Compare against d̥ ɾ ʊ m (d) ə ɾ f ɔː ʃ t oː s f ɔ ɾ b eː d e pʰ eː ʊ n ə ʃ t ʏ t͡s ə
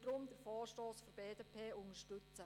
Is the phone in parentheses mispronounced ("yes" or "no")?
no